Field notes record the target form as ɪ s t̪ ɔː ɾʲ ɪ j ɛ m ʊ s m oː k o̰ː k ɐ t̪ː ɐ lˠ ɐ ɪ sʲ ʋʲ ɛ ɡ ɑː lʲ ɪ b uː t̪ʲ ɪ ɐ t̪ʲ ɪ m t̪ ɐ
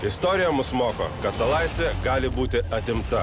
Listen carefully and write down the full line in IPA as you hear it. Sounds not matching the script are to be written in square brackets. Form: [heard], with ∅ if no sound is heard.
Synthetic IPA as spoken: ɪ s t̪ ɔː ɾʲ ɪ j ɛ m ʊ s m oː k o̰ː k ɐ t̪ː ɐ lˠ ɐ ɪ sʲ ʋʲ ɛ ɡ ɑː lʲ ɪ b uː t̪ʲ ɪ ɐ t̪ʲ ɪ m t̪ ɐ